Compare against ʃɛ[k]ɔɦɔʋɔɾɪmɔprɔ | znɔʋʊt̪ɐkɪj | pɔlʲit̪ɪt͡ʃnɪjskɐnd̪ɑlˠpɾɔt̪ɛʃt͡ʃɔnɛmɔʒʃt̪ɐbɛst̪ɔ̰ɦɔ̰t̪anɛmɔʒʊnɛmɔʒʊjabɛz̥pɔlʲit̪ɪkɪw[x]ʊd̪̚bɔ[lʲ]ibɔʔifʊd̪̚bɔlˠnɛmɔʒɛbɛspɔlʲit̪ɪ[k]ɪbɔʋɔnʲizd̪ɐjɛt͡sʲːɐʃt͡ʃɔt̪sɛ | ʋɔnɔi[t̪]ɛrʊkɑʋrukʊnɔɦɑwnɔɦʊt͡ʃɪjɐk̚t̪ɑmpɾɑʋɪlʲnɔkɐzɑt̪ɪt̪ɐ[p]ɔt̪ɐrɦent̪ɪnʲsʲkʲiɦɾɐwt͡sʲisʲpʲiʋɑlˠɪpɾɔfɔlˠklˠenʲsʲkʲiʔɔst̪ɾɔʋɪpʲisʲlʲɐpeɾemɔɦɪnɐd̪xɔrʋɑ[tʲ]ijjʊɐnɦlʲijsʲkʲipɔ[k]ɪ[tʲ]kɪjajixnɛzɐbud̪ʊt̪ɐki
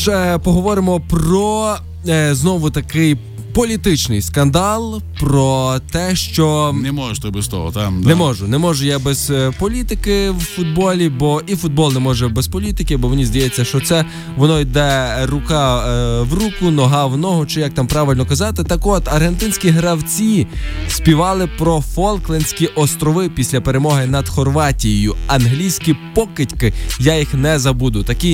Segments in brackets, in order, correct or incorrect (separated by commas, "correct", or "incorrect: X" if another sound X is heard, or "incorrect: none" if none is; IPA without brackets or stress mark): incorrect: p, incorrect: f, correct, correct, incorrect: d̪, incorrect: k, correct, correct, correct